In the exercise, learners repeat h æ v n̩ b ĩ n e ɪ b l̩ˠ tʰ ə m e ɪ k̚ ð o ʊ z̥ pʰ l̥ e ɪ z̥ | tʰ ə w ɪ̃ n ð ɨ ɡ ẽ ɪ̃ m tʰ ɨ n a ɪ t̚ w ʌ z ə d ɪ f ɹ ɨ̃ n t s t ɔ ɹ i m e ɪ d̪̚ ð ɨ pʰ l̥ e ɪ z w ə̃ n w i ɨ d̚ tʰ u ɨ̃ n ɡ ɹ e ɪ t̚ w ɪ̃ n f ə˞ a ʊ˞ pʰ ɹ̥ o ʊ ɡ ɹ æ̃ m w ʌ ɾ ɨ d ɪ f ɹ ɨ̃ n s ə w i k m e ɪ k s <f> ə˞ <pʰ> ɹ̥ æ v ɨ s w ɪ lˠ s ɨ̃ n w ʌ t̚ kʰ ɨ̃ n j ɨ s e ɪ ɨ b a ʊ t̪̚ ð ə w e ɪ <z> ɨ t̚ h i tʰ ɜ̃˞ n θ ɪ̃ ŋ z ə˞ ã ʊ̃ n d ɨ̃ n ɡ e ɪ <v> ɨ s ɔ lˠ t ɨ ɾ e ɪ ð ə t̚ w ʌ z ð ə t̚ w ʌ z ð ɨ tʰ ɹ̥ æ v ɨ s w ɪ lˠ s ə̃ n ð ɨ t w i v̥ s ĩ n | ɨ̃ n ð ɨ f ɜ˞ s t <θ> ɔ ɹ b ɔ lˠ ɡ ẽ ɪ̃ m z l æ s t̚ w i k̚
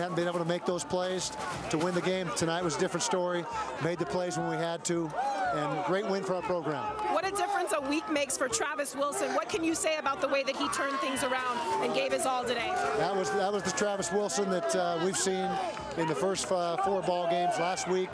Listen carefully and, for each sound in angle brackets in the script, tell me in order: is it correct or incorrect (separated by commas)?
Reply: correct, incorrect, incorrect, correct, incorrect